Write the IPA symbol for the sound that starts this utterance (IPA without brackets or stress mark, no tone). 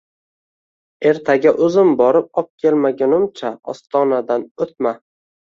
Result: e̞